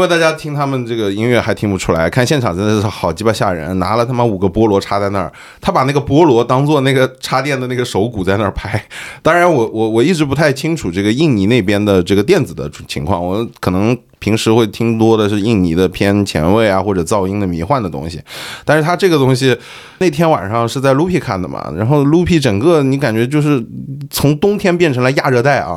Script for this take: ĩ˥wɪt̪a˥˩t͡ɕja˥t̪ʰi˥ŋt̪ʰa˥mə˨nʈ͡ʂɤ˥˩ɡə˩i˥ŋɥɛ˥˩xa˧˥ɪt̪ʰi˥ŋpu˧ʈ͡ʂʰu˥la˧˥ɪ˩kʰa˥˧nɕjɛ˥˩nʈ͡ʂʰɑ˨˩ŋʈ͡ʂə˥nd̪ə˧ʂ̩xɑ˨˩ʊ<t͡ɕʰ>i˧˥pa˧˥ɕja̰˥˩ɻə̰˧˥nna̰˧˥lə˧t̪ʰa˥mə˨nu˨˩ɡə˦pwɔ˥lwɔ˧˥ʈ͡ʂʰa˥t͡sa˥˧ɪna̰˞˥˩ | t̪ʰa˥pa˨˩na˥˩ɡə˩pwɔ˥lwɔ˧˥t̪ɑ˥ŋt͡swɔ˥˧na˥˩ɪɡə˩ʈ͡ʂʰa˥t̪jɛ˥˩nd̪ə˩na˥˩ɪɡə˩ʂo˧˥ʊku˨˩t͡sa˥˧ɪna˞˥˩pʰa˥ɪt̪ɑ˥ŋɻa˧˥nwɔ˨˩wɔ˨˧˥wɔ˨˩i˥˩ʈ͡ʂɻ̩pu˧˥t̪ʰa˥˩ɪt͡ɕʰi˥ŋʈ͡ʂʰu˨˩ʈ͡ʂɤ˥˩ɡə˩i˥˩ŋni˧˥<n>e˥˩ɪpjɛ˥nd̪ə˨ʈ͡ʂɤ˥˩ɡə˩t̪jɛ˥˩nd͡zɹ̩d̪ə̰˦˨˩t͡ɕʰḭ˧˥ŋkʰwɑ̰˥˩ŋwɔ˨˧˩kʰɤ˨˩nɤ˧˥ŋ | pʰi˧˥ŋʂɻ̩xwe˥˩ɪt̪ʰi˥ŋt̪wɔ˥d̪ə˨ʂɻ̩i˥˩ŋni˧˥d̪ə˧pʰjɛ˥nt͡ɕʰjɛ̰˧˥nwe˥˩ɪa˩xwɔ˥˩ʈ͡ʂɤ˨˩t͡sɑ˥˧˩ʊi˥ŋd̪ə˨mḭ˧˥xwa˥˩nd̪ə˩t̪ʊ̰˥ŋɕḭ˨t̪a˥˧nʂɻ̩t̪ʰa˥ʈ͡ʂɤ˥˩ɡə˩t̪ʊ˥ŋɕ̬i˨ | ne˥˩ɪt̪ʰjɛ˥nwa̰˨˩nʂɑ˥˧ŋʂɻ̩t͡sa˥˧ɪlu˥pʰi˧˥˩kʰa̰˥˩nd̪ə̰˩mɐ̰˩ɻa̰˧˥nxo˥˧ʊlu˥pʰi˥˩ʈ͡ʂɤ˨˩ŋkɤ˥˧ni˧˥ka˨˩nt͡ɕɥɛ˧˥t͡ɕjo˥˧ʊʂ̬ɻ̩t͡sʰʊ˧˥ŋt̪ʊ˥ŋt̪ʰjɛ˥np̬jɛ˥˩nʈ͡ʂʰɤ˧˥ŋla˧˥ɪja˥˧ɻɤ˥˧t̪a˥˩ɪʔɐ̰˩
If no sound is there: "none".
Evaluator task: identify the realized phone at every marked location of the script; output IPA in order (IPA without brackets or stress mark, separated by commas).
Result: t͡ɕ, n